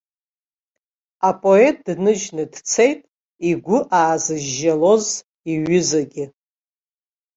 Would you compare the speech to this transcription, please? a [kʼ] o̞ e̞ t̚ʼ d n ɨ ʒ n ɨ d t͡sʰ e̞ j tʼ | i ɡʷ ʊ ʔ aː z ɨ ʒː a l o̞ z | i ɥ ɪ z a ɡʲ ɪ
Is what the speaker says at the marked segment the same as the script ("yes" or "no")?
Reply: no